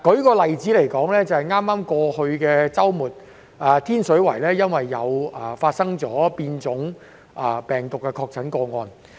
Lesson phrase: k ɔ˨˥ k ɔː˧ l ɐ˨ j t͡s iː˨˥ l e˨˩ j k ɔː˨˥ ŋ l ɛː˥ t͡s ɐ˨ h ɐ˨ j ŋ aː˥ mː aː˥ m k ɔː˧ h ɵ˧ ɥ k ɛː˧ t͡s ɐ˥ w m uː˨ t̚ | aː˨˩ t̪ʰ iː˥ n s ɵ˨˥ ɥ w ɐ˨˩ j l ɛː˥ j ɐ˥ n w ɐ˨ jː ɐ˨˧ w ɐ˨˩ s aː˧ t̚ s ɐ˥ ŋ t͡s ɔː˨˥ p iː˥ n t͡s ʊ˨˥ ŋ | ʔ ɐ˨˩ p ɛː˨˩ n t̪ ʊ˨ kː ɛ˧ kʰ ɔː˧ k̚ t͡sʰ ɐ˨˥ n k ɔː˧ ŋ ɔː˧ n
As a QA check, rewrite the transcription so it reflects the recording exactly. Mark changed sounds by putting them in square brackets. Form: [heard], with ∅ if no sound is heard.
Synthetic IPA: k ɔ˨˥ k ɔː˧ l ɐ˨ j t͡s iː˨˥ l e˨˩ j k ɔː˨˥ ŋ l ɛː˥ t͡s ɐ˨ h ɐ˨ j ŋ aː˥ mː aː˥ m k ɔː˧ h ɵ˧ ɥ k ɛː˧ t͡s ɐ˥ w m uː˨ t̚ | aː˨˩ t̪ʰ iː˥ n s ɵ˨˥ ɥ w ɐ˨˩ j l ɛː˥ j ɐ˥ n w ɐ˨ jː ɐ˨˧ w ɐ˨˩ [f] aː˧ t̚ s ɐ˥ ŋ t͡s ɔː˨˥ p [iː˧] n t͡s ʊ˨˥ ŋ | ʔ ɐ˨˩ p ɛː˨˩ [ŋ] t̪ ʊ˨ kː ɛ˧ kʰ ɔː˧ k̚ t͡sʰ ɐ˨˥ n k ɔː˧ ŋ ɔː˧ n

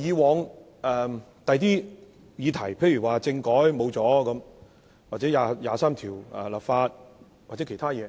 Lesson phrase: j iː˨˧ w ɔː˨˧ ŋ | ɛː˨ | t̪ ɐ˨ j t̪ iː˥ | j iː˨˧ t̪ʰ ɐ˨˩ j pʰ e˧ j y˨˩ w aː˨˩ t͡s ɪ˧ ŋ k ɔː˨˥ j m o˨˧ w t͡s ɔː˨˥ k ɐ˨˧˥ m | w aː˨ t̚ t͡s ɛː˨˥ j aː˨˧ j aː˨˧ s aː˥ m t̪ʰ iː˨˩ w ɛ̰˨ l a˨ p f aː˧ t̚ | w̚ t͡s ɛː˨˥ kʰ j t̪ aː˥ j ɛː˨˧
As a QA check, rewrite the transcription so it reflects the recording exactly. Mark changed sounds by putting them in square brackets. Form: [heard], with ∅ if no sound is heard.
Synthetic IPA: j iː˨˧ w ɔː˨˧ ŋ | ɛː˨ | t̪ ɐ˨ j t̪ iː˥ | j iː˨˧ t̪ʰ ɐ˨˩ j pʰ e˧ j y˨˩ w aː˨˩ t͡s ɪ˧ ŋ k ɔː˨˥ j m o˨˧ w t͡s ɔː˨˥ k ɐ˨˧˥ m | w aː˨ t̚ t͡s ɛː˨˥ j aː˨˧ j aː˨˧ s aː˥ m t̪ʰ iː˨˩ w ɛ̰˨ l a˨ p f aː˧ t̚ | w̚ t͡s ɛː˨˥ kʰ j [t̪ʰ] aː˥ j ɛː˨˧

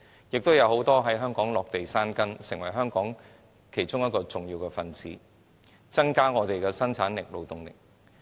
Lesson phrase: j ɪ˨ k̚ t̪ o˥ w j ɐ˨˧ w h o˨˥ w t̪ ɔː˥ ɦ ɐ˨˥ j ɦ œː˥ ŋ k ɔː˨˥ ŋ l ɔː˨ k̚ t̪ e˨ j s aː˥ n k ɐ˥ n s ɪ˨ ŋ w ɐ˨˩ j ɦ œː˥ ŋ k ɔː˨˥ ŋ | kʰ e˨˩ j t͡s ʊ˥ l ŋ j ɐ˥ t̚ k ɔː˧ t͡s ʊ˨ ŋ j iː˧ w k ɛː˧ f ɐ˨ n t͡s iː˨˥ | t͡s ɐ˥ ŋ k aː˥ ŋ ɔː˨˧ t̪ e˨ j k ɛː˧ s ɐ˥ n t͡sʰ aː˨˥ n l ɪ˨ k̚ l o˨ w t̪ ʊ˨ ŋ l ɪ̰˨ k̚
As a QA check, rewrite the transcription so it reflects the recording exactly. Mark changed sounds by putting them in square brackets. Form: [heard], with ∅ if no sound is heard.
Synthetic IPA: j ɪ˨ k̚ t̪ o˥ w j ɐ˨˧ w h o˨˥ w t̪ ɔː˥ ɦ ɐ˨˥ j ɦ œː˥ ŋ k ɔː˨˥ ŋ l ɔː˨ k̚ t̪ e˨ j s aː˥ n k ɐ˥ n s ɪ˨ ŋ w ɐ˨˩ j ɦ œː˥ ŋ k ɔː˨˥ ŋ | kʰ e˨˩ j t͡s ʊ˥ [∅] ŋ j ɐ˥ t̚ k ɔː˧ t͡s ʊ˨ ŋ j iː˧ w k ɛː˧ f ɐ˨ n t͡s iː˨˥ | t͡s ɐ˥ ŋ k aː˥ ŋ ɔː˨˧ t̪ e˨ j k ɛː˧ s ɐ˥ n t͡sʰ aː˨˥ n l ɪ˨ k̚ l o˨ w t̪ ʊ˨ ŋ l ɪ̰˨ k̚

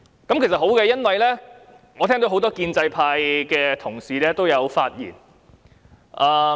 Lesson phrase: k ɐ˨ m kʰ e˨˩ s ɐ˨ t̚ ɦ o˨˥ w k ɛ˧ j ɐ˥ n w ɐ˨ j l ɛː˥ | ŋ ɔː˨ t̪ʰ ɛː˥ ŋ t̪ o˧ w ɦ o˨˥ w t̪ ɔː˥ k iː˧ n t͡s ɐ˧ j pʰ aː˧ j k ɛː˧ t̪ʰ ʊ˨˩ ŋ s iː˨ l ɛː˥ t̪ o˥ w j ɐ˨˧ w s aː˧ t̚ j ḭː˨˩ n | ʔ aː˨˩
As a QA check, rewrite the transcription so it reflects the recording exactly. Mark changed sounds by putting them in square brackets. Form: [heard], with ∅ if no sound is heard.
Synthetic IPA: k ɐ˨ m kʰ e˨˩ s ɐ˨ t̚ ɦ o˨˥ w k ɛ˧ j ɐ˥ n w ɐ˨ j l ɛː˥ | ŋ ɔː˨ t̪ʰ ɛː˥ ŋ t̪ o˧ w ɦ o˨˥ w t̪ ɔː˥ k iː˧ n t͡s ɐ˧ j pʰ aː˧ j k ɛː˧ t̪ʰ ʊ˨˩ ŋ s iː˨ l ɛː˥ t̪ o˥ w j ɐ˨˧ w [f] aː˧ t̚ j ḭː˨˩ n | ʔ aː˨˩

